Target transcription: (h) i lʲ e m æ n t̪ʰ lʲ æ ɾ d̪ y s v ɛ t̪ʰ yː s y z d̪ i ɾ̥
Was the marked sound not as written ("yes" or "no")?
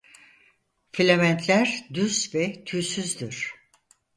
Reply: yes